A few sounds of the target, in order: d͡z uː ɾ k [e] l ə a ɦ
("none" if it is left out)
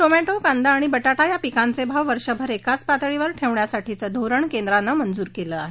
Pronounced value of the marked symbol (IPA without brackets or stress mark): e